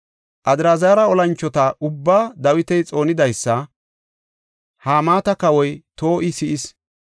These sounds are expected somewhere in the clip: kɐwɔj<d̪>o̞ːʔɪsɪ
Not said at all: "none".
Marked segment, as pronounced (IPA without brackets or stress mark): t̪